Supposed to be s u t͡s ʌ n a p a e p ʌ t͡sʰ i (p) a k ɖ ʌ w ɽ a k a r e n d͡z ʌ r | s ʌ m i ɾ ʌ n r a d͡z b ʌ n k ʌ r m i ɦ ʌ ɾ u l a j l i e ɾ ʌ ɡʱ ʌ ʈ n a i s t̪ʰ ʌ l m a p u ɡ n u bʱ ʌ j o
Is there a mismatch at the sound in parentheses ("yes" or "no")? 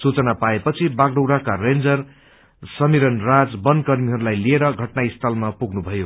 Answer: yes